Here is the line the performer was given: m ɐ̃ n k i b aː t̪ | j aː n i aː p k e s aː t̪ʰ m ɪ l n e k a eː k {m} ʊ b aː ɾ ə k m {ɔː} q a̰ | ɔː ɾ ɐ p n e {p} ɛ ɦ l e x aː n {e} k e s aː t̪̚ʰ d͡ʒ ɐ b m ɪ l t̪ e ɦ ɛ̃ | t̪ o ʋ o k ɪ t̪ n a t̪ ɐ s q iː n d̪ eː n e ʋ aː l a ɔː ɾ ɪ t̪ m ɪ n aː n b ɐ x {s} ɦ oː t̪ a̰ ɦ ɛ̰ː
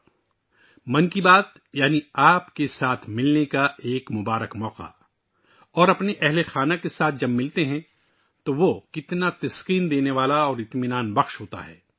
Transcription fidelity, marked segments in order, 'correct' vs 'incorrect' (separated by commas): correct, correct, incorrect, incorrect, incorrect